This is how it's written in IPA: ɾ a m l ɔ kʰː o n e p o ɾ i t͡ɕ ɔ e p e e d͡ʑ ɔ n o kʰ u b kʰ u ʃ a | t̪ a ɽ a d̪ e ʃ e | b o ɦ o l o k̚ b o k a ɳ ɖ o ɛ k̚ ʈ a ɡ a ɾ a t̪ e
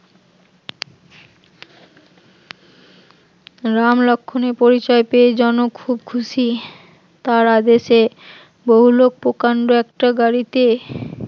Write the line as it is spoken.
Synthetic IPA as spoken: ɾ a m l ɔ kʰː o n e p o ɾ i t͡ɕ ɔ e p e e d͡ʑ ɔ n o kʰ u b kʰ u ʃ i | t̪ a ɾ a d̪ e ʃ e | b o ɦ u l o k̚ p o k a ɳ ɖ o ɛ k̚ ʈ a ɡ a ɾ i t̪ e